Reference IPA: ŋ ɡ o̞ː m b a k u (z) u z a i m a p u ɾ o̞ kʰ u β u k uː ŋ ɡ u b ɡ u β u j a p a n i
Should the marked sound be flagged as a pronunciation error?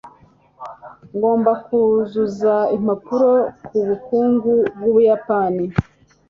no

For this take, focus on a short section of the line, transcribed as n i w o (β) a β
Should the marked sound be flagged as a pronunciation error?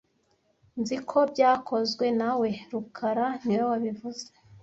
yes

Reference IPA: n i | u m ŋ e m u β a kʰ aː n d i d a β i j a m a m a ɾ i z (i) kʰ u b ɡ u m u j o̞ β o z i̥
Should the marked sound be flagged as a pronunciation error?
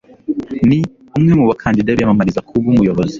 yes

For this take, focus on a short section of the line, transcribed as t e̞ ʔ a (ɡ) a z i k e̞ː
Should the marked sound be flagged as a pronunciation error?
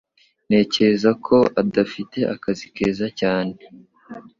yes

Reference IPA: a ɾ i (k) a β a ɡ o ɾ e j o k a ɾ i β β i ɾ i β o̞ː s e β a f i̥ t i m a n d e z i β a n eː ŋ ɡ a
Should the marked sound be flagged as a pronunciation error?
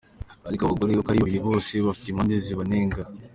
no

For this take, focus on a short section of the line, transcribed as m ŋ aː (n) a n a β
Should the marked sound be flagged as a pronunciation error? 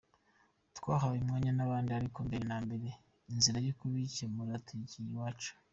yes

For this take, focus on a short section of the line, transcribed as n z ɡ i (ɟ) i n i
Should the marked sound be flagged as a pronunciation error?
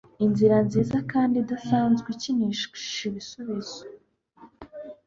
yes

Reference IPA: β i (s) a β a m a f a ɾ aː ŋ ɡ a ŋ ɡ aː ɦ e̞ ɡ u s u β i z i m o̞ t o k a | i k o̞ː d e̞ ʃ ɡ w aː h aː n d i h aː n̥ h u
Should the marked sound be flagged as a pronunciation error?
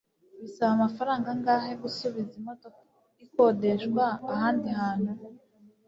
no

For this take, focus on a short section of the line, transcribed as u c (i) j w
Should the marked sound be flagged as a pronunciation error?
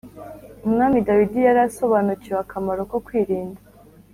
no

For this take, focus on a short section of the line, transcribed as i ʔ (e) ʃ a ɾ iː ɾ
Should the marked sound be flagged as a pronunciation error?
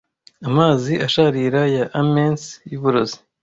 yes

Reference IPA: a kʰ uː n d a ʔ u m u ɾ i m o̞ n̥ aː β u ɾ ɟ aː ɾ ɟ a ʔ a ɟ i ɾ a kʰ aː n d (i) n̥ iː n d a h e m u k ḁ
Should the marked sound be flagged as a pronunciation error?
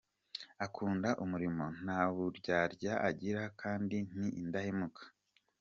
no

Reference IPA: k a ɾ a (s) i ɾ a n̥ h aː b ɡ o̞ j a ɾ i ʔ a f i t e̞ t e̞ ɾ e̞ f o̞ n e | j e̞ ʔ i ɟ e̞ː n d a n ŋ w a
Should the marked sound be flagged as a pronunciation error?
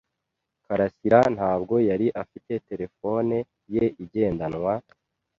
no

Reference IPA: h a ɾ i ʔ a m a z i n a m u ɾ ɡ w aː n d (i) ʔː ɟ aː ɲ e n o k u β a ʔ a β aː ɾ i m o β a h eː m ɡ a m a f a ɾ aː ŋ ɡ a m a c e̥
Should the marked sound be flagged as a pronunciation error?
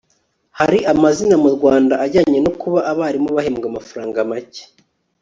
yes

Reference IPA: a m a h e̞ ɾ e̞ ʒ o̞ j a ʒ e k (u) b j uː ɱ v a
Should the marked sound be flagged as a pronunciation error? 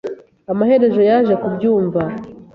no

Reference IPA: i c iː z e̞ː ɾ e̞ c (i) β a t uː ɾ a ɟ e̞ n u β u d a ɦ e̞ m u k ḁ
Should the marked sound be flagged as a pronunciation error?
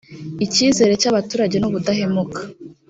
yes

